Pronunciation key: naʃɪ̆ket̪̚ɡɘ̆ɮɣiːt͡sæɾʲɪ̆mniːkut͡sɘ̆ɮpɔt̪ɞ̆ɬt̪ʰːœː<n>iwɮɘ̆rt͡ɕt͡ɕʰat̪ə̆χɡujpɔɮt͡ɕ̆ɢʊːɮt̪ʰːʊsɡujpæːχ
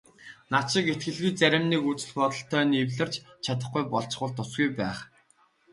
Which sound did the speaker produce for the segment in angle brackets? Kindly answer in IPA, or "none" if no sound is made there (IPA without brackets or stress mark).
n